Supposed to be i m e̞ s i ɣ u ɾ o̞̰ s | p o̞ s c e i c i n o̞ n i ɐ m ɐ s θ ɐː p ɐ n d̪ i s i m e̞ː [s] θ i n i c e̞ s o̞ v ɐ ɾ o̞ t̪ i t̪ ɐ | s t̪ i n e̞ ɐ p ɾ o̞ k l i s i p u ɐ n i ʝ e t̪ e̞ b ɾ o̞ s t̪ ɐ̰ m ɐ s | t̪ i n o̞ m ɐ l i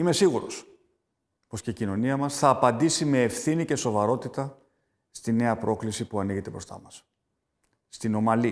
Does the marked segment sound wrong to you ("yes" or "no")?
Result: yes